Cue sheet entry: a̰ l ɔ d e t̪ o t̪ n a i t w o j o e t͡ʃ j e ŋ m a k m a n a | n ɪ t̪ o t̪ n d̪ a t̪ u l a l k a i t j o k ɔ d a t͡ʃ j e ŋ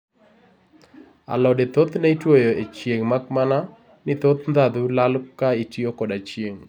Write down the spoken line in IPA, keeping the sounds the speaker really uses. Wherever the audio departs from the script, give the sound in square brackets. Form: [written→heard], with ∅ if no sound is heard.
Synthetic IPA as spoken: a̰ l ɔ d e t̪ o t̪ n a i t w o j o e t͡ʃ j e ŋ m a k m a n a | n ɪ t̪ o t̪ n d̪ a [t̪→d̪] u l a l k a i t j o k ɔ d a t͡ʃ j e ŋ